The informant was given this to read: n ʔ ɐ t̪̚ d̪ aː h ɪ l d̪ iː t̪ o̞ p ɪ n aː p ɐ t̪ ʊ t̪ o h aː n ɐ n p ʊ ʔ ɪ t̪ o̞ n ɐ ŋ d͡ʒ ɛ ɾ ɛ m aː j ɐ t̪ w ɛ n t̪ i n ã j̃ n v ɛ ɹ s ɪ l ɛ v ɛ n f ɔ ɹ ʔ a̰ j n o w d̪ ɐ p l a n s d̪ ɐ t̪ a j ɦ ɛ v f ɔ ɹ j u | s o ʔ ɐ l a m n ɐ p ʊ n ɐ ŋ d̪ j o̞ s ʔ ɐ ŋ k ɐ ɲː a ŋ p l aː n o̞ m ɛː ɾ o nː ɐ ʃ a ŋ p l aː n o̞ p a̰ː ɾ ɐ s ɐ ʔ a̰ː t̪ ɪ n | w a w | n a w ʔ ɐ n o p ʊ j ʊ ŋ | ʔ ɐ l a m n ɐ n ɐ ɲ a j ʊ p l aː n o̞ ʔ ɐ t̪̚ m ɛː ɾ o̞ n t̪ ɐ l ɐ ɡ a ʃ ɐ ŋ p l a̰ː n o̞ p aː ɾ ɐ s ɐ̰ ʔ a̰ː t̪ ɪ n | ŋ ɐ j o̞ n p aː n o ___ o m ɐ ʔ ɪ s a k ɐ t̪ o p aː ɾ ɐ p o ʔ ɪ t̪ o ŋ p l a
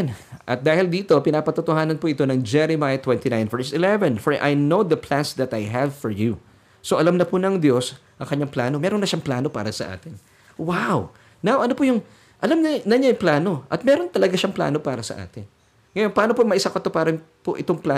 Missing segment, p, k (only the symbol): p